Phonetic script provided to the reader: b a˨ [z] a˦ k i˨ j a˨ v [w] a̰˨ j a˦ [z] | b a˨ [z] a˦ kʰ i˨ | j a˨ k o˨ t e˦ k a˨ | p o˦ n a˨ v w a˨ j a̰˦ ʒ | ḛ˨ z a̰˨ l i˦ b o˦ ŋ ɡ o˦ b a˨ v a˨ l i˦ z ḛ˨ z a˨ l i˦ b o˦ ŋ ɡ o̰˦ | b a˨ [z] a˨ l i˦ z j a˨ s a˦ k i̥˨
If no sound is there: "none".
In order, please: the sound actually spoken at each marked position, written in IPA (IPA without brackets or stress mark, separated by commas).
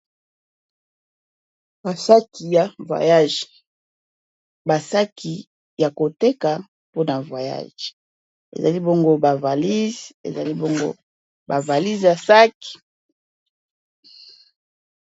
s, w, ʒ, s, v